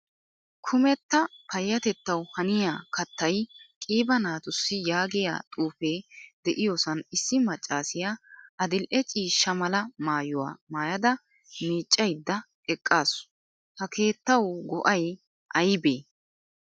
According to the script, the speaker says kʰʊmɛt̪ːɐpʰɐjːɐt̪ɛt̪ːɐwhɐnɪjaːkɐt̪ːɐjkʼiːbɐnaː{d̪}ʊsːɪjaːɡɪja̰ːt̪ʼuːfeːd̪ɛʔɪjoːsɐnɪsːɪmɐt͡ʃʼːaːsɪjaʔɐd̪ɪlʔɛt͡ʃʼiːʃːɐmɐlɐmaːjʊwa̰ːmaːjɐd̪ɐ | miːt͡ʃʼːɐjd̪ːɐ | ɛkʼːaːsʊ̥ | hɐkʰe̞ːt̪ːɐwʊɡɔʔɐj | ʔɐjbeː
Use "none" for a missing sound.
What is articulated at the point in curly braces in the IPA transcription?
t̪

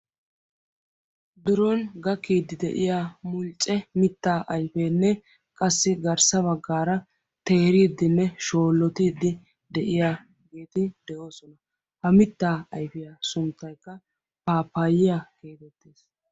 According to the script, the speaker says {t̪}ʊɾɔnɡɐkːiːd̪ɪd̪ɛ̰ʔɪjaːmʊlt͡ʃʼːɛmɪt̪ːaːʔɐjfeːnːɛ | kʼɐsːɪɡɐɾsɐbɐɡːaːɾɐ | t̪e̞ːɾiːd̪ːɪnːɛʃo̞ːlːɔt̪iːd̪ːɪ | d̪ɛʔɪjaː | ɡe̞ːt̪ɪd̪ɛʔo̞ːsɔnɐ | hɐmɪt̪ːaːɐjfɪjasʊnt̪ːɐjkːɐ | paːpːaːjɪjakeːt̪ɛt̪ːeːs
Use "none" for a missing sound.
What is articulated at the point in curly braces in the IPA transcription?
d̪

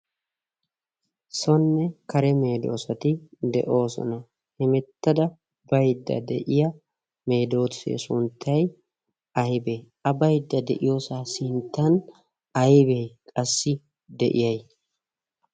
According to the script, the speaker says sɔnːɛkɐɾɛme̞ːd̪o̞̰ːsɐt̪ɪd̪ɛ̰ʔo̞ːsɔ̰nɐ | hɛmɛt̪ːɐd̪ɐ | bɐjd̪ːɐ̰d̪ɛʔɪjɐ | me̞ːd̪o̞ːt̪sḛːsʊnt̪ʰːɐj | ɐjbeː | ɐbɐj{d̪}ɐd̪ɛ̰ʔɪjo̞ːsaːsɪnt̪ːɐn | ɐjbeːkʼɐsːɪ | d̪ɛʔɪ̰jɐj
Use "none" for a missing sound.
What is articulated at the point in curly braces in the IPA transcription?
d̪ː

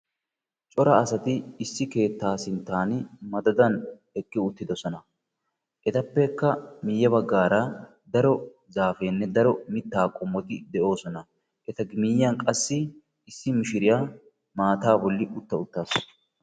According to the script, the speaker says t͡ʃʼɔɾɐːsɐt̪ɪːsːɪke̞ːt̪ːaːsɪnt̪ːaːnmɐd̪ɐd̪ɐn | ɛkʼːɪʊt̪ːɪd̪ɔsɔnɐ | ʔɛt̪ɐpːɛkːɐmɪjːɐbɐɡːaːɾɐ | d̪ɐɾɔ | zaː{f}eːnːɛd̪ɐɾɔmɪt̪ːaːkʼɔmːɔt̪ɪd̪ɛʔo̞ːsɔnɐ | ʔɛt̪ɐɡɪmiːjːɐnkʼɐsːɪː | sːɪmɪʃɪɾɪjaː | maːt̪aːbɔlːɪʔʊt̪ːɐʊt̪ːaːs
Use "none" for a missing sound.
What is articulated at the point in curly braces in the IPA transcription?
f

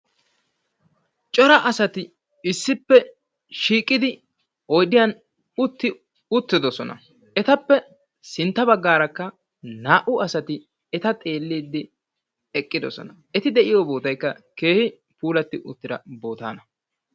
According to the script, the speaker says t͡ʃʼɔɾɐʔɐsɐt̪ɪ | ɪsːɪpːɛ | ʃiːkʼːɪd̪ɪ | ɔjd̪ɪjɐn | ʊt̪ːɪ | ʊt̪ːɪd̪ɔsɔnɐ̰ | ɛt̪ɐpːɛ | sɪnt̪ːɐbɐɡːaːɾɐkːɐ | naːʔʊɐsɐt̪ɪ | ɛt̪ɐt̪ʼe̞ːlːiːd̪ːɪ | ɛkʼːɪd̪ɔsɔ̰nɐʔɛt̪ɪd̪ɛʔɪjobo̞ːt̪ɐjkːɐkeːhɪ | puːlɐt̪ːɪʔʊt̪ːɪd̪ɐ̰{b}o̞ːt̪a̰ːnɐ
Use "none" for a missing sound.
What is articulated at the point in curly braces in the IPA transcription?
b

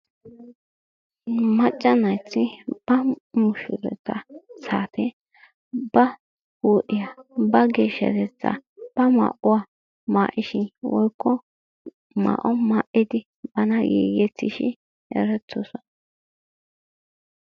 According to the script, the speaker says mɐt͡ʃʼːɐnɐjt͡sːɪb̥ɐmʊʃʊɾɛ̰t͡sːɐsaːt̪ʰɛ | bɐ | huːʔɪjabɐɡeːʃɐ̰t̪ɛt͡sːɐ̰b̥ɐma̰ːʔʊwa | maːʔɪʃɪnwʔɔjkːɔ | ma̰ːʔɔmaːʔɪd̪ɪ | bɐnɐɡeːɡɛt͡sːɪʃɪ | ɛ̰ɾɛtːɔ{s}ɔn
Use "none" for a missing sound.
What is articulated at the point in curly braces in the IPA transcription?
s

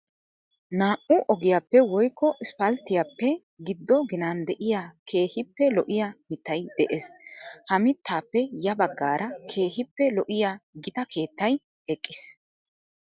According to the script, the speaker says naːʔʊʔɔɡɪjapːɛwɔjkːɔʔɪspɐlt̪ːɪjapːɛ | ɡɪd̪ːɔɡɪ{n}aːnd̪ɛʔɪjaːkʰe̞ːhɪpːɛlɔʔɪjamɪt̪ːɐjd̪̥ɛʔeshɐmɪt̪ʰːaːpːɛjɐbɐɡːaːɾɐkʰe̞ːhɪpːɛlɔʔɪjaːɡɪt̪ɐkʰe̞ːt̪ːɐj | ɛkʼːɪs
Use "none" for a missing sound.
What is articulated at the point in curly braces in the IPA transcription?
n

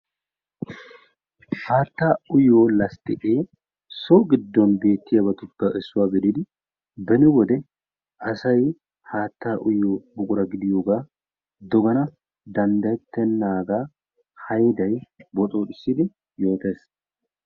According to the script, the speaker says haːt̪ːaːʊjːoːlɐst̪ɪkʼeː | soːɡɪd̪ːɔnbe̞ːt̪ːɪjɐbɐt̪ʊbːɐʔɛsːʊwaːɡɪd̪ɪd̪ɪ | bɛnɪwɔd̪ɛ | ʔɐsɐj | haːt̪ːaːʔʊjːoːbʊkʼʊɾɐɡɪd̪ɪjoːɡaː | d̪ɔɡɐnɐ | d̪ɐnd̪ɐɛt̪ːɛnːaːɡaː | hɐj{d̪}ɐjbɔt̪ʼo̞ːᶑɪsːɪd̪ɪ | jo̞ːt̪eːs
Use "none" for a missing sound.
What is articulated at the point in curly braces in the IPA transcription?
d̪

